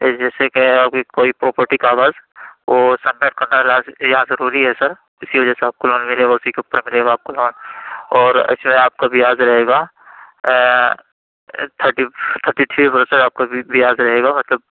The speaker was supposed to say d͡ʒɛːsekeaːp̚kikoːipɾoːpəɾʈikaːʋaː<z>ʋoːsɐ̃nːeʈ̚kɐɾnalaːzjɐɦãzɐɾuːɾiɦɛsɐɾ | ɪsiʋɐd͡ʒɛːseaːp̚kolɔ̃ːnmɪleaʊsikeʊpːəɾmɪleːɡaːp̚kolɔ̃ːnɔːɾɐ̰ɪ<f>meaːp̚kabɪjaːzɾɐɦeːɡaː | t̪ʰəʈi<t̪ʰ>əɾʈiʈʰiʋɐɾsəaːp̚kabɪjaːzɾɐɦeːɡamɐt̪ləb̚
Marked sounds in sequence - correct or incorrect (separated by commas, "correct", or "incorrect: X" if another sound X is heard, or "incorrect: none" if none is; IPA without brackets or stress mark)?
correct, incorrect: s, correct